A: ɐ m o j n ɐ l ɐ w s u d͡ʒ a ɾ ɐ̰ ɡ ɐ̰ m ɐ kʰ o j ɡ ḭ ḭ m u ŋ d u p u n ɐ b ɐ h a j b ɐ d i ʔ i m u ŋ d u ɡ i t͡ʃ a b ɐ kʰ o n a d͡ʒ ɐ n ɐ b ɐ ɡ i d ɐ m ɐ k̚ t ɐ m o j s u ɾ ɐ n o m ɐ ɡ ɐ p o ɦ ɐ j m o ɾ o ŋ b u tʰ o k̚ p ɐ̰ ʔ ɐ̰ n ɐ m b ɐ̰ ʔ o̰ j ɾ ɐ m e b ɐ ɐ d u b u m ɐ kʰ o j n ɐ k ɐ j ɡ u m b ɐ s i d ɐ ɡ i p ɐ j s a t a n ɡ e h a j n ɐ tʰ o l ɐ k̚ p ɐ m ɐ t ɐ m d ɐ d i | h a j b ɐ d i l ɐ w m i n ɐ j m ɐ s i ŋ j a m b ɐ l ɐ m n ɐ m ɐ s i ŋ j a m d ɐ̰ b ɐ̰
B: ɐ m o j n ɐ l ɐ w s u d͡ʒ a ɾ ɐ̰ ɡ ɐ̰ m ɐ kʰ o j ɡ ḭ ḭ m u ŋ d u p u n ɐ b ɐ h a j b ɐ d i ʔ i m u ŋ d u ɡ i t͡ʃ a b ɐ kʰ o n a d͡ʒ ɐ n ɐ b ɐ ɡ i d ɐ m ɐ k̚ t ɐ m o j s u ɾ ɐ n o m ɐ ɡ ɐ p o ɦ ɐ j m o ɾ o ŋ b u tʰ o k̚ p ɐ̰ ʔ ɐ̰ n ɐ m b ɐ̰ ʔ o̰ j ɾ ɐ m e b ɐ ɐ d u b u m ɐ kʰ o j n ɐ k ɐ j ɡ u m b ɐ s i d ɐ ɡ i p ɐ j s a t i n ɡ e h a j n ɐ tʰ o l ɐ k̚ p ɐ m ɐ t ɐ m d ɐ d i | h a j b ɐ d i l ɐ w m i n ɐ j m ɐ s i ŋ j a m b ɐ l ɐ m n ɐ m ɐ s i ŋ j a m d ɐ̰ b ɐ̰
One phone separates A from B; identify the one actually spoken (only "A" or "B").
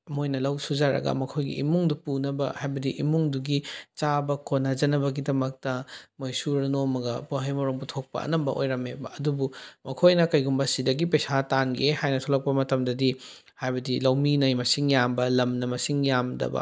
A